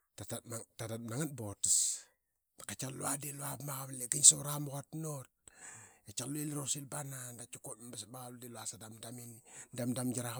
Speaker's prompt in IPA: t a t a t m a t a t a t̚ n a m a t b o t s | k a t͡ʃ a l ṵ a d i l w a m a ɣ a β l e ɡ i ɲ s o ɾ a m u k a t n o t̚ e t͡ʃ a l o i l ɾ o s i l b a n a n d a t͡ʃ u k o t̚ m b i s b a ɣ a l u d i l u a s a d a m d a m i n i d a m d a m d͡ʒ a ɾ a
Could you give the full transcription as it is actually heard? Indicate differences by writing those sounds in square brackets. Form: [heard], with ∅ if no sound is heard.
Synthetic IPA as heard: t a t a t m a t a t a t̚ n a [ŋ] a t b o t s | k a t͡ʃ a l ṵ a d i l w a m a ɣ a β l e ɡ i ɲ s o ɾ a m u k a t n o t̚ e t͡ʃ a l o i l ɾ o s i l b a n a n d a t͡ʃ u k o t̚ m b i s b a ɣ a l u d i l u a s a d a m d a m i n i d a m d a m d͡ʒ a ɾ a